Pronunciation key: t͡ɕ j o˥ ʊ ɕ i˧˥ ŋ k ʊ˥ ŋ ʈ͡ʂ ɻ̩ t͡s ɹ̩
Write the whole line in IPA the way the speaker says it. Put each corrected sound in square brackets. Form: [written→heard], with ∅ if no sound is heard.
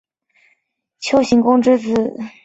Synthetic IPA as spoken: [t͡ɕ→t͡ɕʰ] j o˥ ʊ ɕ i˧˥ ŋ k ʊ˥ ŋ ʈ͡ʂ ɻ̩ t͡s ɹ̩